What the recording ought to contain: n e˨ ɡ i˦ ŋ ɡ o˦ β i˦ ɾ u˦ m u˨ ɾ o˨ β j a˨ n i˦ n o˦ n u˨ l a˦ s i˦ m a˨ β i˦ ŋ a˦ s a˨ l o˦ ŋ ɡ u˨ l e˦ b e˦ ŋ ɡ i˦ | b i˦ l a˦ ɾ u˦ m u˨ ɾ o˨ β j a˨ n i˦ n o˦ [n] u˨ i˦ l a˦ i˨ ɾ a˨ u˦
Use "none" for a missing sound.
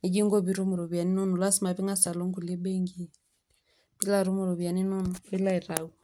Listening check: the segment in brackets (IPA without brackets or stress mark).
n